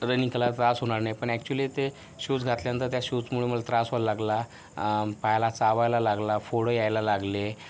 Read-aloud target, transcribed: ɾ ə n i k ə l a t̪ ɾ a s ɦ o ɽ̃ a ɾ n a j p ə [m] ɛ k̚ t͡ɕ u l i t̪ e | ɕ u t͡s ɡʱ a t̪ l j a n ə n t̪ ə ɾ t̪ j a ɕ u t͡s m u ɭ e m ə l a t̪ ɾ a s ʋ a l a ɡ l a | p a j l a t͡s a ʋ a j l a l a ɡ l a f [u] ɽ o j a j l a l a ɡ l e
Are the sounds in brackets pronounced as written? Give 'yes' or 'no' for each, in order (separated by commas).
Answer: no, no